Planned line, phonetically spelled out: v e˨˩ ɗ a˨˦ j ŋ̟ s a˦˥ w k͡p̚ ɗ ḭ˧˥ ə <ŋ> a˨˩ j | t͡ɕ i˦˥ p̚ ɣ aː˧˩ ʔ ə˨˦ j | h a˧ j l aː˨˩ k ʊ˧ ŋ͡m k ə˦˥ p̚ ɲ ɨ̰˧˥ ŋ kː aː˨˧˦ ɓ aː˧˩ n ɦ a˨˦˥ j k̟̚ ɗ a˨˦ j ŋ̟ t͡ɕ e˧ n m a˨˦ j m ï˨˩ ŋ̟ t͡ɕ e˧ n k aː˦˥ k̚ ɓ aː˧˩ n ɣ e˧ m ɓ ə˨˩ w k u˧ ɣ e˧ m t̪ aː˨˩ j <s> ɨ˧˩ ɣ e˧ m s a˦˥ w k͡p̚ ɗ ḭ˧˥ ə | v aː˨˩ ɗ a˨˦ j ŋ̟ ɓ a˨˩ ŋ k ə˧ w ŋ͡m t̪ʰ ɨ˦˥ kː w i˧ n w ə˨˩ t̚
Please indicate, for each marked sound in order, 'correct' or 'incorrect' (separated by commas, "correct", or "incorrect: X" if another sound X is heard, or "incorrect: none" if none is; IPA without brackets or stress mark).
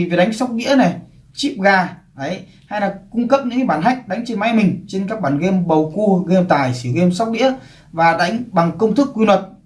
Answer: incorrect: n, correct